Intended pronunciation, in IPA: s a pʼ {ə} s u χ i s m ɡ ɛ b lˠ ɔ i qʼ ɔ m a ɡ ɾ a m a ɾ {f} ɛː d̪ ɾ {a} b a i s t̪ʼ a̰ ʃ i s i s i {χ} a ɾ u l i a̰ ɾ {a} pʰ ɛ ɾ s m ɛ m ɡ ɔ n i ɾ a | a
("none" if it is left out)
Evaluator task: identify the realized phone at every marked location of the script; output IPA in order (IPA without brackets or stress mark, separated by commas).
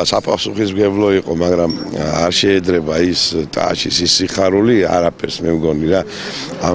a, ʃ, ɛ, χ, a